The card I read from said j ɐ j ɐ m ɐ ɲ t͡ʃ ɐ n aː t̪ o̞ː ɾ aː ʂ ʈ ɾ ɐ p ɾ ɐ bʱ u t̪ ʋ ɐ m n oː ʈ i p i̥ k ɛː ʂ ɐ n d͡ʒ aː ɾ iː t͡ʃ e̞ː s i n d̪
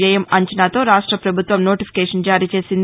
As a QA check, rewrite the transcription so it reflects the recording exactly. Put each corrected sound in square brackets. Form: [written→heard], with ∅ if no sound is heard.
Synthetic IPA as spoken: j ɐ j ɐ m ɐ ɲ t͡ʃ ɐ n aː t̪ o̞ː ɾ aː ʂ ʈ ɾ ɐ p ɾ ɐ bʱ u t̪ ʋ ɐ m n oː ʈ i p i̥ k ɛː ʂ ɐ n d͡ʒ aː ɾ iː t͡ʃ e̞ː s i n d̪

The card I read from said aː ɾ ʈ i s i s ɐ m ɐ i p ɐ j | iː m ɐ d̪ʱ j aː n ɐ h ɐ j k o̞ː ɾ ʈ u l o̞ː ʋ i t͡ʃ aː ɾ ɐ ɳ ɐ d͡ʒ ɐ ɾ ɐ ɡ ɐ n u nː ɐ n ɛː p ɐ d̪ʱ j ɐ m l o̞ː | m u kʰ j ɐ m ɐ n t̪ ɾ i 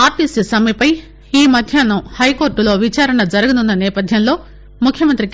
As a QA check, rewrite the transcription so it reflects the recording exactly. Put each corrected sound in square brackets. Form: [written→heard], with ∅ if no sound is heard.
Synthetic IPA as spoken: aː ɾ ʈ i s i s ɐ m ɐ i p ɐ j | iː m ɐ d̪ʱ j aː n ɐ h ɐ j k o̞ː ɾ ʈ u l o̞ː ʋ i t͡ʃ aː ɾ ɐ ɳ ɐ d͡ʒ ɐ ɾ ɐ ɡ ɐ n u nː ɐ n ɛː p ɐ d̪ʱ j ɐ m l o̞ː | m u kʰ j ɐ m ɐ n t̪ ɾ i

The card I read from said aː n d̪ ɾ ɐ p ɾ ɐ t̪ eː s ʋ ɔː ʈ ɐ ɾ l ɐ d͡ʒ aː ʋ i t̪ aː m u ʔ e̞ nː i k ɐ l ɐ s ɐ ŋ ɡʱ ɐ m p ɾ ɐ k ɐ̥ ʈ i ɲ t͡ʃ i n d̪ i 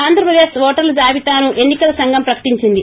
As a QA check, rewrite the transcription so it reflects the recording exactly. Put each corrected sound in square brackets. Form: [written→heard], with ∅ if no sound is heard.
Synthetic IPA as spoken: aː n d̪ ɾ ɐ p ɾ ɐ [t̪→d̪] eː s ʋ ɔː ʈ ɐ ɾ l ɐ d͡ʒ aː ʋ i t̪ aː [m→n] u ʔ e̞ nː i k ɐ l ɐ s ɐ ŋ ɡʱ ɐ m p ɾ ɐ k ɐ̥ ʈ i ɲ t͡ʃ i n d̪ i

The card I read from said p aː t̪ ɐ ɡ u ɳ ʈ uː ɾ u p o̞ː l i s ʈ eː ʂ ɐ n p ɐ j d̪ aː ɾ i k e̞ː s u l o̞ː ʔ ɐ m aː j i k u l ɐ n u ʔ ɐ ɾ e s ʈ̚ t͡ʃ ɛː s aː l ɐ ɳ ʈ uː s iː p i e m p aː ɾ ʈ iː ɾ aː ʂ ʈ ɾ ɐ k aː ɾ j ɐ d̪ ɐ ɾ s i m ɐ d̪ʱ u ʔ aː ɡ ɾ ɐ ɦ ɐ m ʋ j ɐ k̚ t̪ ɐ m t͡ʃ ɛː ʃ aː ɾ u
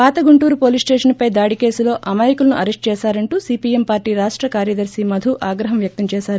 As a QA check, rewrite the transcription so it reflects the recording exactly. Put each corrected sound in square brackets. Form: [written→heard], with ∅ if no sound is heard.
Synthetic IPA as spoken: p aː t̪ ɐ ɡ u ɳ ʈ uː ɾ u p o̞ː l i s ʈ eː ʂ ɐ n p ɐ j d̪ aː [ɾ→ɽ] i k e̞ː s u l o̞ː ʔ ɐ m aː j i k u l ɐ n u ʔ ɐ ɾ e s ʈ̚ t͡ʃ ɛː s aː [l→ɾ] ɐ ɳ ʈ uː s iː p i e m p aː ɾ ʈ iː ɾ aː ʂ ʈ ɾ ɐ k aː ɾ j ɐ d̪ ɐ ɾ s i m ɐ d̪ʱ u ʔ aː ɡ ɾ ɐ ɦ ɐ m ʋ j ɐ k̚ t̪ ɐ m t͡ʃ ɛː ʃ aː ɾ u

